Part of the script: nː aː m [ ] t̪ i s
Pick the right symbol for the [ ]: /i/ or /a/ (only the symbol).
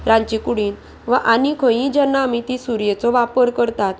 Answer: i